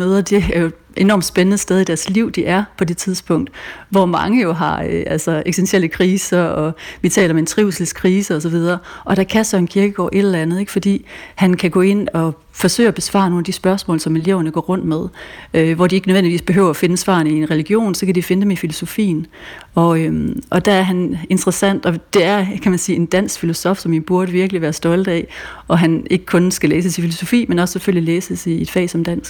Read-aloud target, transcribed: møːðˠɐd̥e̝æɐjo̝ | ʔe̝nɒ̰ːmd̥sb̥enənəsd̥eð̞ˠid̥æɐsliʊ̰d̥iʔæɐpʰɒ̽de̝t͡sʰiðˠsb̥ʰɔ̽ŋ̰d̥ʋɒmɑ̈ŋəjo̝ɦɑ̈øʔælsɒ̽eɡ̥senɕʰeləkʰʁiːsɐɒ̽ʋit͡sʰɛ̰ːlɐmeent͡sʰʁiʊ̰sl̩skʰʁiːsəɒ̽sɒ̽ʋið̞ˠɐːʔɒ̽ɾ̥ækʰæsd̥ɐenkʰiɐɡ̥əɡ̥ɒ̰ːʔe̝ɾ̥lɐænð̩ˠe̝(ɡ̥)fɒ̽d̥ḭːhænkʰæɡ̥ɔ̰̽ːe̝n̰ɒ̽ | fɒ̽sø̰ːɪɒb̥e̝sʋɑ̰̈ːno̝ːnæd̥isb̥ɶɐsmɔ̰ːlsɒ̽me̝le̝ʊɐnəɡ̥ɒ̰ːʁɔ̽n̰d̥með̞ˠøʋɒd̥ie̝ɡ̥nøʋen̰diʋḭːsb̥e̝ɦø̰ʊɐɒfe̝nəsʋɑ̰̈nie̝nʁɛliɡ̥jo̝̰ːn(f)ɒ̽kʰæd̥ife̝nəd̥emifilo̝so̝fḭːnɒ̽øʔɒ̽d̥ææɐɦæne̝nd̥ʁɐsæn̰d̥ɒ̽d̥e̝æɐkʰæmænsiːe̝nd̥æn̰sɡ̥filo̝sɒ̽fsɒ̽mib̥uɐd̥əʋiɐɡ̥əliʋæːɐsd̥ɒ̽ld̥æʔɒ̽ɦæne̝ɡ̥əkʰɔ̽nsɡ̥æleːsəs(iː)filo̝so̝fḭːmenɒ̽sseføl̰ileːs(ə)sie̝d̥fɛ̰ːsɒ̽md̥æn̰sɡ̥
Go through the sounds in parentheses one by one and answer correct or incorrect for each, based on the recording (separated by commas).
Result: correct, incorrect, incorrect, correct